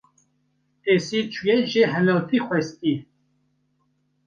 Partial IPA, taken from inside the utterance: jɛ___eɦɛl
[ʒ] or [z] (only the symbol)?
ʒ